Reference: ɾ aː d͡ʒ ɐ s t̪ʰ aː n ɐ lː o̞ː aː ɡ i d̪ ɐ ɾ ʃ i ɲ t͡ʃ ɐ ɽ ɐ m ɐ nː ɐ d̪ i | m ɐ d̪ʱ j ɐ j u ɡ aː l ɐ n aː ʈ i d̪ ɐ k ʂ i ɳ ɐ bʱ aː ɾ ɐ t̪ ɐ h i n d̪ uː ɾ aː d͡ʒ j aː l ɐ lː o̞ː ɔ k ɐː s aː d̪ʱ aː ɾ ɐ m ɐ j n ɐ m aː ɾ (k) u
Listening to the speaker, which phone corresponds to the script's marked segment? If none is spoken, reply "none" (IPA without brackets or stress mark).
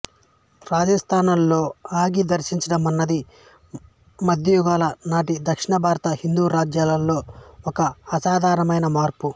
p